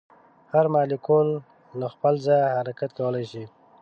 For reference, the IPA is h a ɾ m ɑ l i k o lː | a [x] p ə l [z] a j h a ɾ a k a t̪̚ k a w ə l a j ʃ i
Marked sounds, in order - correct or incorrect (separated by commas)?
correct, correct